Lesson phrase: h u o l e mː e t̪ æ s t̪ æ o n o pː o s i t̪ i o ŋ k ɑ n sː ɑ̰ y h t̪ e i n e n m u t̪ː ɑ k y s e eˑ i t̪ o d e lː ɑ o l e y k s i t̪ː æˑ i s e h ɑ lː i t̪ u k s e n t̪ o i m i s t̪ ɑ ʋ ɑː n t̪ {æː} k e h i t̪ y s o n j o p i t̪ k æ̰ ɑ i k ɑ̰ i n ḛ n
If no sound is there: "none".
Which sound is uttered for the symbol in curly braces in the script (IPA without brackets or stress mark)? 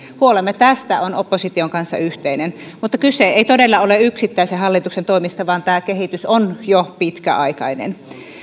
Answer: æː